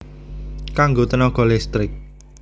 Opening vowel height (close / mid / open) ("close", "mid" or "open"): open